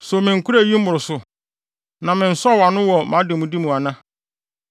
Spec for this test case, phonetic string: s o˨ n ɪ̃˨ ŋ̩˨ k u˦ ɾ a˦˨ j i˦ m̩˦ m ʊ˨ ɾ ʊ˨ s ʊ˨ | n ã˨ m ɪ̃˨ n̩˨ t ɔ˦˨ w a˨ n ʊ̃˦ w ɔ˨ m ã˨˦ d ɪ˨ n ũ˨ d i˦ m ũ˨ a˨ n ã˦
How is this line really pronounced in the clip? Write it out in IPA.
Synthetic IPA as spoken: s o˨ m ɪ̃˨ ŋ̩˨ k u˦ ɾ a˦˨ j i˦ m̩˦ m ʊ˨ ɾ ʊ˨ s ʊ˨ | n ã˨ m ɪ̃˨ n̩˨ s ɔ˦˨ w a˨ n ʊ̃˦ w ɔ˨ m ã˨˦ d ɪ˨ m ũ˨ d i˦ m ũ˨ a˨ n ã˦